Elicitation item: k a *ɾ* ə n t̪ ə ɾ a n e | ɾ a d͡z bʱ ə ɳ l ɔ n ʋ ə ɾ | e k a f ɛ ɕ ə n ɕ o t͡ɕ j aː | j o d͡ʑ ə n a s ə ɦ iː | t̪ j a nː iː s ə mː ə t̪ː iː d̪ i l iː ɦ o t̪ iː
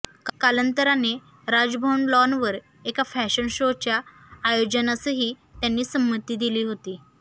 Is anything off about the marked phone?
yes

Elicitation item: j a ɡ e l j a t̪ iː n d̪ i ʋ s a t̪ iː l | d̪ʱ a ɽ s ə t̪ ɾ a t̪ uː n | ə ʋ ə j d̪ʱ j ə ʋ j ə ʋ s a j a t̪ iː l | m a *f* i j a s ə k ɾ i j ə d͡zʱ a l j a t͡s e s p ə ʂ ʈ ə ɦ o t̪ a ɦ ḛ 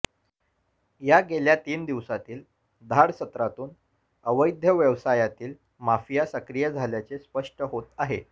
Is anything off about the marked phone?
no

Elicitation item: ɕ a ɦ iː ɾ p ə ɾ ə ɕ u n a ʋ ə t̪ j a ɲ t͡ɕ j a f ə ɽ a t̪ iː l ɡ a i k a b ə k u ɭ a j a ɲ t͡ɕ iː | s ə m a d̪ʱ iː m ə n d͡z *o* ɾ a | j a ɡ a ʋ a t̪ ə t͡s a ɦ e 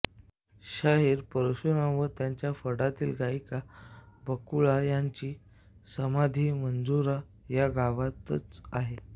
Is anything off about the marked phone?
yes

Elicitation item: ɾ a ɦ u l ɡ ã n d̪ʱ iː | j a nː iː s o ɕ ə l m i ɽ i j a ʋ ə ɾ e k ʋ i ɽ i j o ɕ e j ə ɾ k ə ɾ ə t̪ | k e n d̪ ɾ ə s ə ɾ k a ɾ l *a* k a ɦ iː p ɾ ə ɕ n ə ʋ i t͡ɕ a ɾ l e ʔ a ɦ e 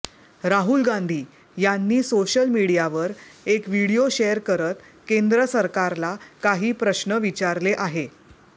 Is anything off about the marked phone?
no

